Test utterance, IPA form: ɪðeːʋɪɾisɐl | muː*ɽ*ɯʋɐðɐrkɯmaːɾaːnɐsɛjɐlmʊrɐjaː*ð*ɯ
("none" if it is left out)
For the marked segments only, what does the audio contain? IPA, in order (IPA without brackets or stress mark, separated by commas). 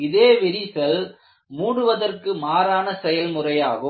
ɽ, ɣ